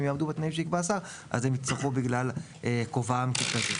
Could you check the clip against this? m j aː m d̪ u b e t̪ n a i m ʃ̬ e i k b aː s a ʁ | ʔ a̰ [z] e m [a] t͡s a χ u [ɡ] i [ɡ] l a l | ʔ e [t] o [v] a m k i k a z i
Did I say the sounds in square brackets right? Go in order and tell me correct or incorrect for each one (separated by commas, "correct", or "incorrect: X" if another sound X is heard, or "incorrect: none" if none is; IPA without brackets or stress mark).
correct, incorrect: i, incorrect: b, correct, incorrect: k, correct